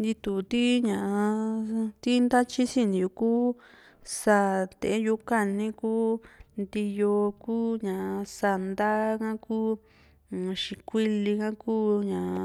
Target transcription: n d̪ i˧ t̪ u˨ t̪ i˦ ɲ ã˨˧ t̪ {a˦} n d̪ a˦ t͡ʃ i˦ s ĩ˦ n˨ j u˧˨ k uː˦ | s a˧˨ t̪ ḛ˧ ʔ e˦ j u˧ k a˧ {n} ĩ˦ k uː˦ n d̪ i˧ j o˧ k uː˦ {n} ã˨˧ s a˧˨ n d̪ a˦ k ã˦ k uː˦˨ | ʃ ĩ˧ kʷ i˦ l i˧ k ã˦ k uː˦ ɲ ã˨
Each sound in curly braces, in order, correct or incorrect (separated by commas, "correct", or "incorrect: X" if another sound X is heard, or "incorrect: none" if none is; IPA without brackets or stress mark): incorrect: i˦, correct, incorrect: ɲ